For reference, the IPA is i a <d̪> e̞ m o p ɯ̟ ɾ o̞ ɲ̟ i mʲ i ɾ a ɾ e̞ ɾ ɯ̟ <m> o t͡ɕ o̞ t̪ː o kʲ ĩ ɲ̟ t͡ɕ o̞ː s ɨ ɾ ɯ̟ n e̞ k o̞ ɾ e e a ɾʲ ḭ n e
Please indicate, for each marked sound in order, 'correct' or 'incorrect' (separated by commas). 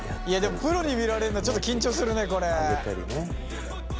correct, incorrect